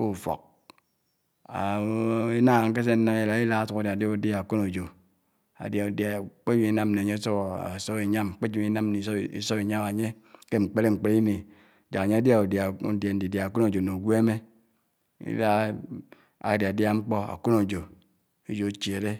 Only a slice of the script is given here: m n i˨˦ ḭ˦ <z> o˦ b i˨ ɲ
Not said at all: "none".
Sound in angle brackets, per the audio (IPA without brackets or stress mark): s